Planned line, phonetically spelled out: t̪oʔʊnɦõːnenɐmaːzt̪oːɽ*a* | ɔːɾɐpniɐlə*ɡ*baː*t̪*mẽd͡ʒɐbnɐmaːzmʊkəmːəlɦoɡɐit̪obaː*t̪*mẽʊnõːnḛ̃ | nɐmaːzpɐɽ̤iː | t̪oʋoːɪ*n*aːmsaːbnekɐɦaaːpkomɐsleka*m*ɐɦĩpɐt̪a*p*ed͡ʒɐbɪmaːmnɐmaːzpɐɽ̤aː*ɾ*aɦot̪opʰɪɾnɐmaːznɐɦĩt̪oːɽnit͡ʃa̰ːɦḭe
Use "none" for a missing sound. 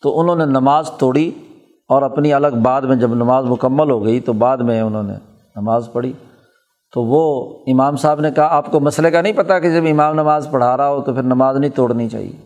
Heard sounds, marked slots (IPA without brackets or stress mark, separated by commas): i, ɡ, d̪, d̪, m, n, k, ɾ